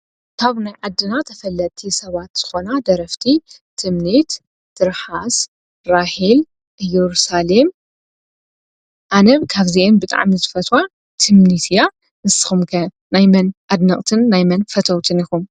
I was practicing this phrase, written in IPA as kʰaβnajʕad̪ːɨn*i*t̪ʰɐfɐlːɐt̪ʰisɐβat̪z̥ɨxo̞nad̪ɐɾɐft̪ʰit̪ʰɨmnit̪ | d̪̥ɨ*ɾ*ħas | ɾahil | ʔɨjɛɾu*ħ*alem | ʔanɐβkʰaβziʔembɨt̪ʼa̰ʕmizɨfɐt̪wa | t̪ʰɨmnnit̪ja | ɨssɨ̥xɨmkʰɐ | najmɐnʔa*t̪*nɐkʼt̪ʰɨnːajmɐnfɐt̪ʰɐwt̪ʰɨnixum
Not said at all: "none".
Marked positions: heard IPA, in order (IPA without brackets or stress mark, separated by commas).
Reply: a, ɾ, s, d̪